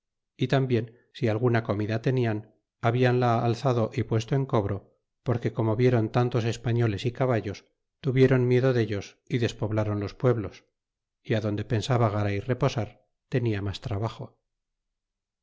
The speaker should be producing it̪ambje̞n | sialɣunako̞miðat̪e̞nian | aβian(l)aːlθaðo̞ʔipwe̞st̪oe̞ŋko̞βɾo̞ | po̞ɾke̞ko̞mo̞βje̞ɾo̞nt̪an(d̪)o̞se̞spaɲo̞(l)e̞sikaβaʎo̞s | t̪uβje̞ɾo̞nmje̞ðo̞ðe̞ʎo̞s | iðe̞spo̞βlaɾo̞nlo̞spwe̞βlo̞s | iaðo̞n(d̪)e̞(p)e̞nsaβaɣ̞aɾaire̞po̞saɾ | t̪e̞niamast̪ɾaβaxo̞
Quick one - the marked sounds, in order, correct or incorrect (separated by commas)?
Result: correct, incorrect, correct, correct, correct